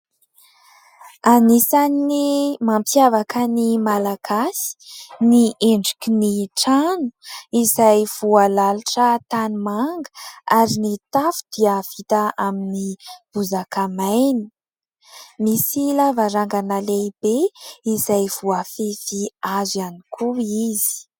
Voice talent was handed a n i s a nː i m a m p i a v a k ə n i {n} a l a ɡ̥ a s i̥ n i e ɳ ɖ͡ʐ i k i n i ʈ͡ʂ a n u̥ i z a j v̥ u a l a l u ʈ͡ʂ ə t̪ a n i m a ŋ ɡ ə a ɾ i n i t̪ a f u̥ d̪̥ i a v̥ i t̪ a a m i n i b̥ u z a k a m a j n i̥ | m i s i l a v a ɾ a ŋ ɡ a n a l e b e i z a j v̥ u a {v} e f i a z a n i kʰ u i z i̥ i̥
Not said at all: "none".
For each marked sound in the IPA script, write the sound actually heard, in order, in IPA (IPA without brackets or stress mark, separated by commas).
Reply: m, f